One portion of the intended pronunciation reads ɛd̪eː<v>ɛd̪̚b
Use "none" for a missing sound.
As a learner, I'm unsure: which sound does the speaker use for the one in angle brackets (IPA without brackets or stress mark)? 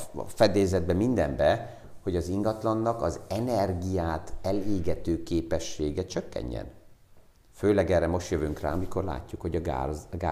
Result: z